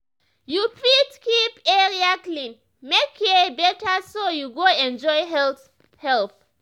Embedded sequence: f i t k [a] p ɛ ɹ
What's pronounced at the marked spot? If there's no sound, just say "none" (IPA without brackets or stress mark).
i